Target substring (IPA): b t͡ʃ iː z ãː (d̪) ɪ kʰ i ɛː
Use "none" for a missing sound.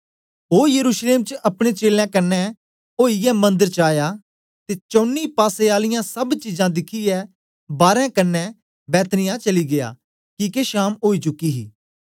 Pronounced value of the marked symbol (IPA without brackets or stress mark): d̪